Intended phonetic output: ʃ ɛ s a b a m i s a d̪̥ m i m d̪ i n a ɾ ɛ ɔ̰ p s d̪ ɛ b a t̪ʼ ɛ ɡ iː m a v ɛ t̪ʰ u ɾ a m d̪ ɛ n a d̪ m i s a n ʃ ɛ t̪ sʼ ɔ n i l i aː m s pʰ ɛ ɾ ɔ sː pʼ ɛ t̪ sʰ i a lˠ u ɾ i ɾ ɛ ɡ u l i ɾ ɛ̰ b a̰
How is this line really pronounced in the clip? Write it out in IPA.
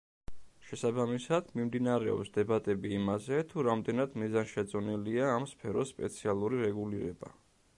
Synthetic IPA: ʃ ɛ s a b a m i s a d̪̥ m i m d̪ i n a ɾ ɛ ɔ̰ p s d̪ ɛ b a t̪ʼ ɛ b iː m a z ɛ t̪ʰ u ɾ a m d̪ ɛ n a d̪ m i z a n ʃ ɛ t̪ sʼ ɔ n i l i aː m s pʰ ɛ ɾ ɔ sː pʼ ɛ t̪ sʰ i a lˠ u ɾ i ɾ ɛ ɡ u l i ɾ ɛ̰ b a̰